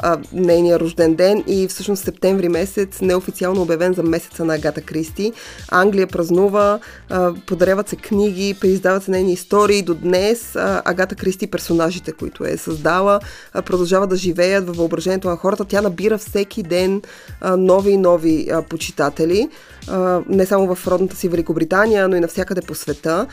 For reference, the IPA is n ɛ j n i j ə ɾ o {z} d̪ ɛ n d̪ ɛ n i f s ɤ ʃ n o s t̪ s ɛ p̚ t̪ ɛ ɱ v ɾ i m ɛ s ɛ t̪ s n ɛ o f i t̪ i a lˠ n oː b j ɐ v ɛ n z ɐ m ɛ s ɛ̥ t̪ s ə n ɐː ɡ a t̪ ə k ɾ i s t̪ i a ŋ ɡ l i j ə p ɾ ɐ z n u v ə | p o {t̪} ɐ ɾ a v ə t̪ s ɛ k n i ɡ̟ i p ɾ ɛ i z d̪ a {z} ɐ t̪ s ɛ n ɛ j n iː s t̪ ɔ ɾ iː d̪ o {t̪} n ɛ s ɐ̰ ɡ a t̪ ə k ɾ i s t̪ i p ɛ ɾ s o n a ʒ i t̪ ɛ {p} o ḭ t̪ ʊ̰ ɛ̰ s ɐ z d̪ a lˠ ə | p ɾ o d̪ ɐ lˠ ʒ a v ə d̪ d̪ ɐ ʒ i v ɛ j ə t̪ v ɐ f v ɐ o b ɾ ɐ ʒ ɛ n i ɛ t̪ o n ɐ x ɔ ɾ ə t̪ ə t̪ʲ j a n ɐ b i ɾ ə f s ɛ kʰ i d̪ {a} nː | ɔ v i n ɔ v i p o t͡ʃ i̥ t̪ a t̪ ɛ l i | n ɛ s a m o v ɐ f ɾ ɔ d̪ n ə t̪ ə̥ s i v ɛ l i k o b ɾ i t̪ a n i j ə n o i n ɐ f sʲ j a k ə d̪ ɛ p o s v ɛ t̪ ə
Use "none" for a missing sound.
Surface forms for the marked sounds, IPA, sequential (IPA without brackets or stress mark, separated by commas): ʒ, d̪, v, d̪, k, ɛ